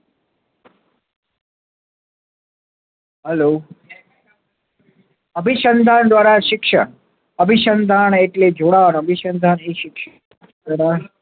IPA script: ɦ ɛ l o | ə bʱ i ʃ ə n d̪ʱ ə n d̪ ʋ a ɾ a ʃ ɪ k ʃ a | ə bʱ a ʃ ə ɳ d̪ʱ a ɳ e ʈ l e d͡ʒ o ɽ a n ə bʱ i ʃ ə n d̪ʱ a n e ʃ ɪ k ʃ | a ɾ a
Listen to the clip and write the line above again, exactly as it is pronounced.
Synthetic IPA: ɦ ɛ l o | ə bʱ i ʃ ə n d̪ʱ a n d̪ ʋ a ɾ a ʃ ɪ k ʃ ə | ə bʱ i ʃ ə n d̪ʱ a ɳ e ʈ l e d͡ʒ o ɽ a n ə bʱ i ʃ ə n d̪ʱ a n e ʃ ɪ k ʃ | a ɾ a